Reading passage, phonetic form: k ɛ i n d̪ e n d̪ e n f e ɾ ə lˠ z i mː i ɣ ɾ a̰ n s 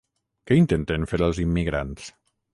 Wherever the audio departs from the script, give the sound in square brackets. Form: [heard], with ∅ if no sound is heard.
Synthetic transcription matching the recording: k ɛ i n [t̪] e n [t̪] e n f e ɾ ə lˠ z i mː i ɣ ɾ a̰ n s